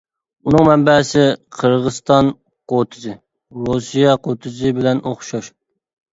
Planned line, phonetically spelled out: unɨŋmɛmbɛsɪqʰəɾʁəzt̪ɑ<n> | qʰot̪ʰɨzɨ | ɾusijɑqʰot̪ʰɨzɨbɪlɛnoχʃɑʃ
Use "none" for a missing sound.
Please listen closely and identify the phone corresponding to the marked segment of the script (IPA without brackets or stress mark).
n